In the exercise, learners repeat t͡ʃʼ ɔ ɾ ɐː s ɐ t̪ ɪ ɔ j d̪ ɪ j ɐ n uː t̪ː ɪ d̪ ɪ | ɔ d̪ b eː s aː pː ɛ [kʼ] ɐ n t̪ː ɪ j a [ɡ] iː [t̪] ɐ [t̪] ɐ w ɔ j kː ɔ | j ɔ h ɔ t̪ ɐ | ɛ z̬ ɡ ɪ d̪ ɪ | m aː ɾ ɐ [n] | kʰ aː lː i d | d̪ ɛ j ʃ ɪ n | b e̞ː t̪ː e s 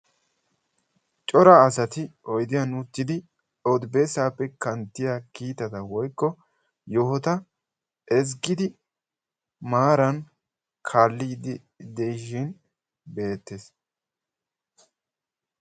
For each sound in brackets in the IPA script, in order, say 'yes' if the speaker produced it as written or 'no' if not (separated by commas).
no, no, yes, yes, yes